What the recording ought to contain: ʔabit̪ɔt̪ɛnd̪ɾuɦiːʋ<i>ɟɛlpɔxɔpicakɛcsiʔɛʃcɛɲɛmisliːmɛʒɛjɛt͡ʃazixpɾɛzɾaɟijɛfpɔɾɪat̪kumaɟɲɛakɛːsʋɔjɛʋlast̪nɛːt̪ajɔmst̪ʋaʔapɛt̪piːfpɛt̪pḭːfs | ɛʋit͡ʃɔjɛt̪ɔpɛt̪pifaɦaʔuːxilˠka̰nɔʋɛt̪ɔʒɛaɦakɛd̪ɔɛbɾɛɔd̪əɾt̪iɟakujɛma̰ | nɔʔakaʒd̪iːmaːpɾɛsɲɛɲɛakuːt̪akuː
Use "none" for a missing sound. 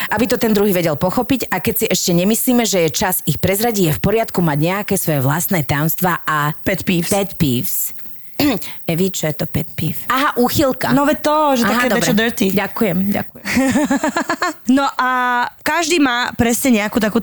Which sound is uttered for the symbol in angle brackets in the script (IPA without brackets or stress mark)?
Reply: ɛ